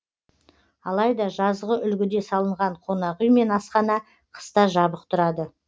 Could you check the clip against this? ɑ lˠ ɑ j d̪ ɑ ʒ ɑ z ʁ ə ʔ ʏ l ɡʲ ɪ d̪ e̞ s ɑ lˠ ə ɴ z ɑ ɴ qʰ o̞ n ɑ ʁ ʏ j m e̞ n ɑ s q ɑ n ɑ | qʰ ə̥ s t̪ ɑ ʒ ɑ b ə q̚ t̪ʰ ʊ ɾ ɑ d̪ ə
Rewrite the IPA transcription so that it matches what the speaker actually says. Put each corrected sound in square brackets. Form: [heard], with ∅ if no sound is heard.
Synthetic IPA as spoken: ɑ lˠ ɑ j d̪ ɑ ʒ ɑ z ʁ ə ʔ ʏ l ɡʲ ɪ d̪ e̞ s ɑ lˠ ə ɴ [ʁ] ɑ ɴ qʰ o̞ n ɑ ʁ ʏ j m e̞ n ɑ s q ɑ n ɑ | qʰ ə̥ s t̪ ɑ ʒ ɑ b ə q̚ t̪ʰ ʊ ɾ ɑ d̪ ə